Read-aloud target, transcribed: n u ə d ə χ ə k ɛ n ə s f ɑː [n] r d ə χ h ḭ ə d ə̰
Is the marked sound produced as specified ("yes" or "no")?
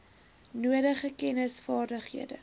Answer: no